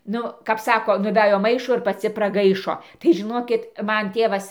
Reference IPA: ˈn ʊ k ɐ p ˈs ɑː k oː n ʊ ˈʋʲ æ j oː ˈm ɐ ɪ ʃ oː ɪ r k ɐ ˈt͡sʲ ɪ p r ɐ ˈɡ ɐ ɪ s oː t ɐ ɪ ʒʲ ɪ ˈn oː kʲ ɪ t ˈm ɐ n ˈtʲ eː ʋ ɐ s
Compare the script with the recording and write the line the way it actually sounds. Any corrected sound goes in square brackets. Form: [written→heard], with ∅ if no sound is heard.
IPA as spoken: ˈn ʊ k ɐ p ˈs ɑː k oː n ʊ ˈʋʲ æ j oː ˈm ɐ ɪ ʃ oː ɪ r [k→p] ɐ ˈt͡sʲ ɪ p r ɐ ˈɡ ɐ ɪ [s→ʃ] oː t ɐ ɪ ʒʲ ɪ ˈn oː kʲ ɪ t ˈm ɐ n ˈtʲ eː ʋ ɐ s